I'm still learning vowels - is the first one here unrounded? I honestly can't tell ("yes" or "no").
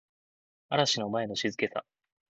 yes